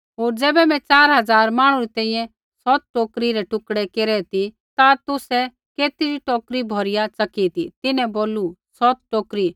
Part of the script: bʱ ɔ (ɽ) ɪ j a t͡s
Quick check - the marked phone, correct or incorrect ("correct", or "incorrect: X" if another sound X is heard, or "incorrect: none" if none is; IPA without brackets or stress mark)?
incorrect: ɾ